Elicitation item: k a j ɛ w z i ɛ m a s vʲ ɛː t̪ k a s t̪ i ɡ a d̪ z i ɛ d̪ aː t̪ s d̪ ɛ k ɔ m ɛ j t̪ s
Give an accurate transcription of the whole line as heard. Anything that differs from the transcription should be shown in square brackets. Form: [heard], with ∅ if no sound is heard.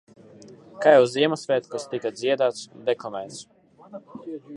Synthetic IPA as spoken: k a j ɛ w z i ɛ m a s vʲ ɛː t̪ k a s t̪ i [k] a d̪ z i ɛ d̪ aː t̪ s d̪ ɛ k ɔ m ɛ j t̪ s